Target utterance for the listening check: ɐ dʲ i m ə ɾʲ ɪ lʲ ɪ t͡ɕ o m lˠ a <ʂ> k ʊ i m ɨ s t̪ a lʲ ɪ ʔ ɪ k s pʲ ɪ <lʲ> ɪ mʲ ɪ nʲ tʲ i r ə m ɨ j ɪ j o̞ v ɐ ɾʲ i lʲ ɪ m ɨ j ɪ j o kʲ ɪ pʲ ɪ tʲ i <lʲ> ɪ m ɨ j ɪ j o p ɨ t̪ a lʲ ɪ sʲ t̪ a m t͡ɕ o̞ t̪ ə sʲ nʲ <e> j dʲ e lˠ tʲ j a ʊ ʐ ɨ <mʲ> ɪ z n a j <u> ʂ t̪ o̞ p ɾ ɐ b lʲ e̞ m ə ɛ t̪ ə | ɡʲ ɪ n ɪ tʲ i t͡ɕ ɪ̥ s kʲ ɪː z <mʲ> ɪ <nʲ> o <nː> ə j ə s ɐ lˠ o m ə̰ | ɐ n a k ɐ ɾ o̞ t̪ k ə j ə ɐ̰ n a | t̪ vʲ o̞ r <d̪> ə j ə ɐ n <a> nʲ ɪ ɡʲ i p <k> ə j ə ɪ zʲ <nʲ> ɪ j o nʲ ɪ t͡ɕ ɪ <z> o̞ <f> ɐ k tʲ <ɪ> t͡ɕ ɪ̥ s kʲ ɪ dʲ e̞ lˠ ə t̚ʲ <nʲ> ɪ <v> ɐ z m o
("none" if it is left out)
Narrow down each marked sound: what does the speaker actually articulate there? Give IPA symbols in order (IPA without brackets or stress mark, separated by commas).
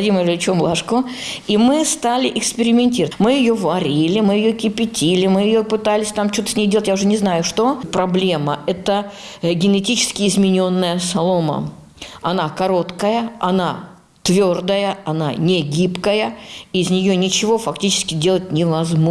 ʂ, ɾʲ, lʲ, e, nʲ, ʊ, mʲ, nʲ, nː, d̪, a, k, nʲ, v, f, i, nʲ, v